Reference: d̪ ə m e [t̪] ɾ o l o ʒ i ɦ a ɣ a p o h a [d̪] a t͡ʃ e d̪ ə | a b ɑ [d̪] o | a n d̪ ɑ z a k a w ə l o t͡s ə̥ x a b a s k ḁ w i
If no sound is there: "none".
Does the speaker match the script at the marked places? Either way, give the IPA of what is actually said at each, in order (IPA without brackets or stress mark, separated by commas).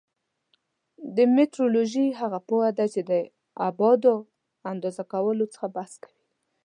t̪, d̪, d̪